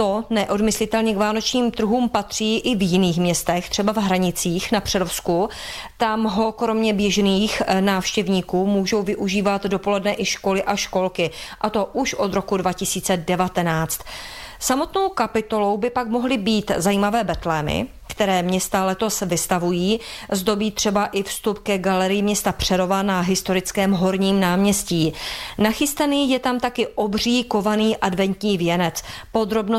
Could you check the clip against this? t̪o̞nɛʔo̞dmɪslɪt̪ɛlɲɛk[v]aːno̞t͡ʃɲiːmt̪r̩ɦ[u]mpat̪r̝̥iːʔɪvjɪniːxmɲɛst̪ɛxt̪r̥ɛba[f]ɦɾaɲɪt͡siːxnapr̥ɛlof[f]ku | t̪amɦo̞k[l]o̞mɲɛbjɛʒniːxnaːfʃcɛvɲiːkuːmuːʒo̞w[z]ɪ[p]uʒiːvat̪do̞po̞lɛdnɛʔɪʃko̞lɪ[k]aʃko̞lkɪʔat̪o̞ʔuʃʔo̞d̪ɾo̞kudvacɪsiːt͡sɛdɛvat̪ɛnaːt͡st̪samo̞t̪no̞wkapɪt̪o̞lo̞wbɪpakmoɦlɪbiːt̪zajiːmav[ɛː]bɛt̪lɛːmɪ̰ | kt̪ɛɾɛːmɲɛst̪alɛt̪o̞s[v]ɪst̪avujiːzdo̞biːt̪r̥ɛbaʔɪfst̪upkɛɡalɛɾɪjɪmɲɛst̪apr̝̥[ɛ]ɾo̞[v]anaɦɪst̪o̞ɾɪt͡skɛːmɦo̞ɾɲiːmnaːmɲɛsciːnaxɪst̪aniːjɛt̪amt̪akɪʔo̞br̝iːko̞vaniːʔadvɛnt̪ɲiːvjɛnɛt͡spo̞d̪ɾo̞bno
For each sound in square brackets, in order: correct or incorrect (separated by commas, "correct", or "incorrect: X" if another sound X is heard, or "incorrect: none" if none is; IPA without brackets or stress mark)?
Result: correct, incorrect: uː, incorrect: v, incorrect: s, incorrect: ɾ, incorrect: v, incorrect: ʔ, incorrect: ʔ, correct, correct, correct, correct